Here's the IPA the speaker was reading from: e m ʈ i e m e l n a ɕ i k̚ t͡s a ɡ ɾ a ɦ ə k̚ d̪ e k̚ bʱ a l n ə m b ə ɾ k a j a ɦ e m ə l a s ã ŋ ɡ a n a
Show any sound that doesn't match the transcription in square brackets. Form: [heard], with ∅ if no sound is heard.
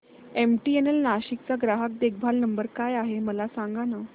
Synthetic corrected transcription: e m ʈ i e [n] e l n a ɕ i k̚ t͡s a ɡ ɾ a ɦ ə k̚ d̪ e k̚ bʱ a l n ə m b ə ɾ k a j a ɦ e m ə l a s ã ŋ ɡ a n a